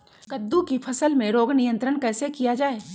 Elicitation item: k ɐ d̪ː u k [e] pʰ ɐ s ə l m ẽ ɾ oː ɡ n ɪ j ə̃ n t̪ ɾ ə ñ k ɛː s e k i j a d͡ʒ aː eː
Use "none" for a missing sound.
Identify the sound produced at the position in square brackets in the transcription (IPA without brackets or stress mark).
i